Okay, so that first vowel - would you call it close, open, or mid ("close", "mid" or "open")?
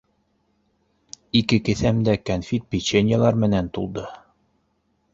close